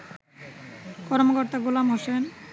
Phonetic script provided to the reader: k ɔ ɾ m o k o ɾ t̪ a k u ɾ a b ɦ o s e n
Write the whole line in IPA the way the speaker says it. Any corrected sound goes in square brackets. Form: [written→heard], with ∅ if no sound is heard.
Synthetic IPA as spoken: k ɔ ɾ m o k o ɾ t̪ a [k→ɡ] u [ɾ→l] a [b→m] ɦ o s e n